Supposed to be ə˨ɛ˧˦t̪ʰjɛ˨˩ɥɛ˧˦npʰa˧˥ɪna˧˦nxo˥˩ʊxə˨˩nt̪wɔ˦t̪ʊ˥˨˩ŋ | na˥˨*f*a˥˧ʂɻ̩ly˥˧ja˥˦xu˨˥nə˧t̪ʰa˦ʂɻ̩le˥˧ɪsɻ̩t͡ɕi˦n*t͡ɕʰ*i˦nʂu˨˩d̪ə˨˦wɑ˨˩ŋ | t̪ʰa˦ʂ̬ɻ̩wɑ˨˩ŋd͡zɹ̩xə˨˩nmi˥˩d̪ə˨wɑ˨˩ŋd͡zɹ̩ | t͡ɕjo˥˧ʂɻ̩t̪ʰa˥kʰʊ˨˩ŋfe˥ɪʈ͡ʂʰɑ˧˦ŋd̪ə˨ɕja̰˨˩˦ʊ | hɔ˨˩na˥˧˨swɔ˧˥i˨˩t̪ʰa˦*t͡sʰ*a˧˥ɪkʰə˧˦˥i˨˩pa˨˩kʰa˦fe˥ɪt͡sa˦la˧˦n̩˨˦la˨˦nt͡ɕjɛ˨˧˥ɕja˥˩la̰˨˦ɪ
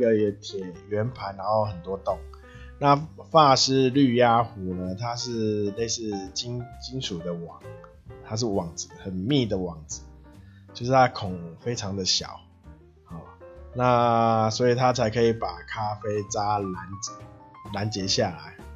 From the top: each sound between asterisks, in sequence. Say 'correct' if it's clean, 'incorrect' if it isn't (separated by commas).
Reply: correct, incorrect, correct